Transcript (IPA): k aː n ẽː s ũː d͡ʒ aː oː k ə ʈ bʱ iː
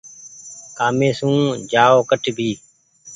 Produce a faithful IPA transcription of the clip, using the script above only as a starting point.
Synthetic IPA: k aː m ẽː s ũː d͡ʒ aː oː k ə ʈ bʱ iː